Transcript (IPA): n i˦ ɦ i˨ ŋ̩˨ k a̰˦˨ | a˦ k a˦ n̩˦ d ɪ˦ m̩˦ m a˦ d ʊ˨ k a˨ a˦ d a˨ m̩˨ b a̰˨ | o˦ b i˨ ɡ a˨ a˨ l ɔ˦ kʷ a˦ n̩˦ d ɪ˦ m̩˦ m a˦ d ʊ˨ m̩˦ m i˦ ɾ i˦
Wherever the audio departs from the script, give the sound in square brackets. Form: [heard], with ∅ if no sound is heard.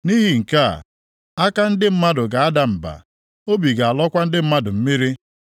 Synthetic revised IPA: n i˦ ɦ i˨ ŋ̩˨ k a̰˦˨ | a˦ k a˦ n̩˦ d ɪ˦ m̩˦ m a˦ d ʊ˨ [ɡ] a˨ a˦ d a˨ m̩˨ b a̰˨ | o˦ b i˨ ɡ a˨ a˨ l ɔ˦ kʷ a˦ n̩˦ d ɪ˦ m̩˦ m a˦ d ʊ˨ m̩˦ m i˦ ɾ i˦